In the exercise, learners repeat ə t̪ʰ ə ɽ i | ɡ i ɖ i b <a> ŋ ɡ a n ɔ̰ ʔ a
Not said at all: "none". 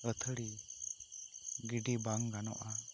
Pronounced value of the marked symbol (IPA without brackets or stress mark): a